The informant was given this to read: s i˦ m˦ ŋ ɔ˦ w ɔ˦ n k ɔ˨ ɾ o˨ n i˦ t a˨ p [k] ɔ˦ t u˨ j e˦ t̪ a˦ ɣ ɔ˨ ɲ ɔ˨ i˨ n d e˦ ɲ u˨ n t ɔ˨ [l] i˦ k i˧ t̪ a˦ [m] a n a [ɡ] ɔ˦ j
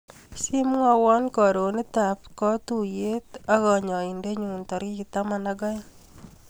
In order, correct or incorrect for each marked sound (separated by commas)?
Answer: correct, incorrect, correct, correct